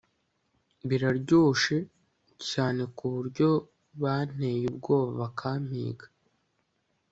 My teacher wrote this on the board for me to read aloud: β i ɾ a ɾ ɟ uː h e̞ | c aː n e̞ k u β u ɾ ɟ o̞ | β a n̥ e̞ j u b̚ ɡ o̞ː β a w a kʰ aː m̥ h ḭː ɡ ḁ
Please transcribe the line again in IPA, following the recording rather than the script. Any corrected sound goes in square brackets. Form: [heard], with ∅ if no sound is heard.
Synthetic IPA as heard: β i ɾ a ɾ ɟ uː [ʃ] e̞ | c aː n e̞ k u β u ɾ ɟ o̞ | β a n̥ e̞ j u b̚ ɡ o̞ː β a [β] a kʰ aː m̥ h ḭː ɡ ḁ